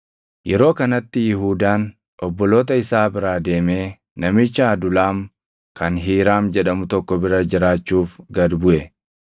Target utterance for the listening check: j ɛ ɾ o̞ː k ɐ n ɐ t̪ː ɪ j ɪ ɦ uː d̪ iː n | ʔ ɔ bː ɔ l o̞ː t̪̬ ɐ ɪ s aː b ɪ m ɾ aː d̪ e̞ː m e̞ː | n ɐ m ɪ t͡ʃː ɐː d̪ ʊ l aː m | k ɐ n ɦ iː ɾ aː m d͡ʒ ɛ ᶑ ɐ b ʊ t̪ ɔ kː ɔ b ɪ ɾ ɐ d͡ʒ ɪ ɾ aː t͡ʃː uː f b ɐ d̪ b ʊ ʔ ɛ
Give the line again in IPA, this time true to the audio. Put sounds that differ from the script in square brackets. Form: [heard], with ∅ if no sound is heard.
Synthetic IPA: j ɛ ɾ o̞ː k ɐ n ɐ t̪ː ɪ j ɪ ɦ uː d̪ [aː] n | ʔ ɔ bː ɔ l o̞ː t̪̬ ɐ ɪ s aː b ɪ [∅] ɾ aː d̪ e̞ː m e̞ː | n ɐ m ɪ t͡ʃː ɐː d̪ ʊ l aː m | k ɐ n ɦ iː ɾ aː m d͡ʒ ɛ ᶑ ɐ [m] ʊ t̪ ɔ kː ɔ b ɪ ɾ ɐ d͡ʒ ɪ ɾ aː t͡ʃː uː f [ɡ] ɐ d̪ b ʊ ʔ ɛ